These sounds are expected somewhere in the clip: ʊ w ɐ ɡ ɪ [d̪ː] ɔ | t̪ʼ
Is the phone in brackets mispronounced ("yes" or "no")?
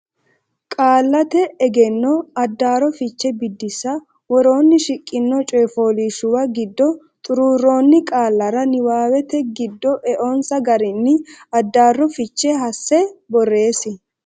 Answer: no